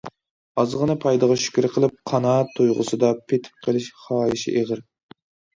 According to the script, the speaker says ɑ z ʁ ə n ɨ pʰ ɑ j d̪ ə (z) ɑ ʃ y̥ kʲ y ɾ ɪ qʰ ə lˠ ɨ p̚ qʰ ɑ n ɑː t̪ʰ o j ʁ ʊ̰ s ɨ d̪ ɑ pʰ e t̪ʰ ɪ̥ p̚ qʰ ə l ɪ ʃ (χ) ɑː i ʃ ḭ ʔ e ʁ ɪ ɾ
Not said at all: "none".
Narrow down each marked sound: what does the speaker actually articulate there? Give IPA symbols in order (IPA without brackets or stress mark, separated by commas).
ʁ, χ